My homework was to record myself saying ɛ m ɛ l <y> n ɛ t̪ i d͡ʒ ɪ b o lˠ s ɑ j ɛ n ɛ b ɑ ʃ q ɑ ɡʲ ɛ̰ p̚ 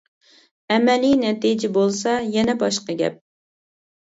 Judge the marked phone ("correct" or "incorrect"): incorrect